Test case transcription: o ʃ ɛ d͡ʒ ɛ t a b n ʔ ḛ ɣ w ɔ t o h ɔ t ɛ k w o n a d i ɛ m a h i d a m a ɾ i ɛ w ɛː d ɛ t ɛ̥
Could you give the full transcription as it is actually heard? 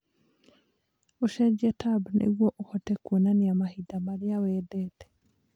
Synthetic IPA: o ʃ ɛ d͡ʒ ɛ t a b n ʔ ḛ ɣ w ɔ ʔ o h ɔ t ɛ k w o n a n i a m a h i d a m a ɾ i a w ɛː d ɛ t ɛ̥